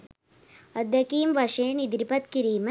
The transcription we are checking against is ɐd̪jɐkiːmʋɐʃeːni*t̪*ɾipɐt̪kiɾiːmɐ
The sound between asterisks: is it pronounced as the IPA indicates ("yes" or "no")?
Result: no